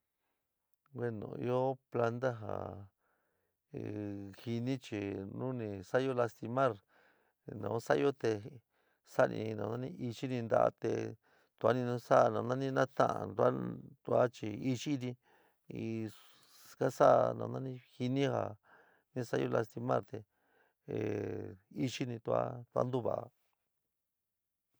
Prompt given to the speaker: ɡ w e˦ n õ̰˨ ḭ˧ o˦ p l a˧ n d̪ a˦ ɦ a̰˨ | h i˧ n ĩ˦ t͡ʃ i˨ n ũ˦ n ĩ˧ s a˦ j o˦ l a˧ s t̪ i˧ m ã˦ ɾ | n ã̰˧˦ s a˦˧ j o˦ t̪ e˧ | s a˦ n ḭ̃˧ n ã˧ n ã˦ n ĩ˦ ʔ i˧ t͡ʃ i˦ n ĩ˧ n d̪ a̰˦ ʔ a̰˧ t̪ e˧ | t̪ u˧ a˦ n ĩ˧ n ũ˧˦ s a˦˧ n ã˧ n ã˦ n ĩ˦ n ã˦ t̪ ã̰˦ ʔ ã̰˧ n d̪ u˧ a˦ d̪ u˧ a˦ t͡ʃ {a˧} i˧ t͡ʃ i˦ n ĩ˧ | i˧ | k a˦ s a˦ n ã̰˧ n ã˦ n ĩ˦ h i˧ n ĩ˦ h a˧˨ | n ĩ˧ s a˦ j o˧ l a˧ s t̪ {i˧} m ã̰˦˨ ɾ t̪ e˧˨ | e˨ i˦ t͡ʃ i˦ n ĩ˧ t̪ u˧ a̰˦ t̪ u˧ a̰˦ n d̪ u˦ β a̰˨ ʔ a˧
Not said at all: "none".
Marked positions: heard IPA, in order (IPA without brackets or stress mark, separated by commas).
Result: i˧, i˧